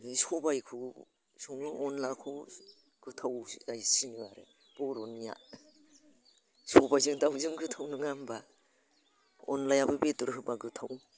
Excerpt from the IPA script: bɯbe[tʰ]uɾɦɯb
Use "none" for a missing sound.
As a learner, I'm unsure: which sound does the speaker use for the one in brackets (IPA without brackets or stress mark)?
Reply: t